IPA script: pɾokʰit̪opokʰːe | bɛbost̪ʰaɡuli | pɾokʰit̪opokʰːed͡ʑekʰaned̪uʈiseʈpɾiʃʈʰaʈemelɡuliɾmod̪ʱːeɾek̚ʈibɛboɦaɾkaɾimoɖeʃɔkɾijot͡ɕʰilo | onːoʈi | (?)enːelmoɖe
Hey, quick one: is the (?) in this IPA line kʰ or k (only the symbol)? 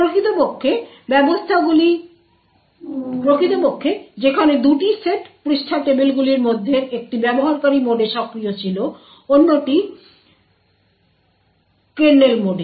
k